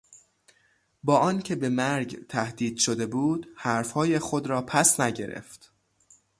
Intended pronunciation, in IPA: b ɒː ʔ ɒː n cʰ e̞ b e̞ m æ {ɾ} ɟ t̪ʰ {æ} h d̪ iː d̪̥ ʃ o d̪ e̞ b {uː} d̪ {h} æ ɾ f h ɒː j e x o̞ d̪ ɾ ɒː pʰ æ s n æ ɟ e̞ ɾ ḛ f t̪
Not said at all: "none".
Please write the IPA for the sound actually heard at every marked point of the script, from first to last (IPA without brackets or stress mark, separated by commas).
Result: ɾ, æ, uː, h